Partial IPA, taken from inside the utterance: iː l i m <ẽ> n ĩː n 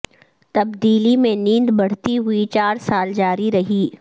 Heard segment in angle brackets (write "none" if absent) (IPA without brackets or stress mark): ẽ